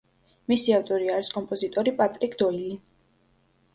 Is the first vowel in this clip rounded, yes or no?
no